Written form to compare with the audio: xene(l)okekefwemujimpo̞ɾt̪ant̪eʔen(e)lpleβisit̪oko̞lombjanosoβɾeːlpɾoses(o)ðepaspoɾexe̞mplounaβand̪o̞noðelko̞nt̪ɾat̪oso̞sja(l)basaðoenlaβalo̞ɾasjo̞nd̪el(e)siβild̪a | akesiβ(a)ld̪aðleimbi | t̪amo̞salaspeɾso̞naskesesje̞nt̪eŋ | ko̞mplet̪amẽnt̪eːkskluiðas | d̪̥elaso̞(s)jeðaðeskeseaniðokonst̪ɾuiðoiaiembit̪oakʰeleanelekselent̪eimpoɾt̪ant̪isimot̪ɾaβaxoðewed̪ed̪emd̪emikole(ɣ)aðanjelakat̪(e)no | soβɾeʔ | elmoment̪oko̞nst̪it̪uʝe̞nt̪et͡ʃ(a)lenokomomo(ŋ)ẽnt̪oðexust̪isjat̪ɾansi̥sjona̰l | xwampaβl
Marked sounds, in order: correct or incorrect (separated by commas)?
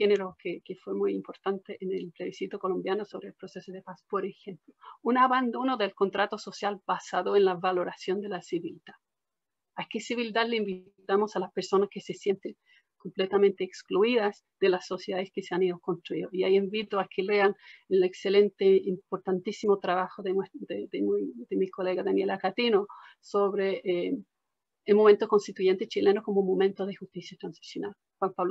incorrect, correct, correct, correct, incorrect, incorrect, correct, correct, incorrect, incorrect, incorrect